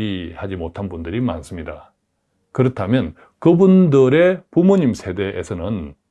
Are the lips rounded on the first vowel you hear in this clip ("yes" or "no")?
no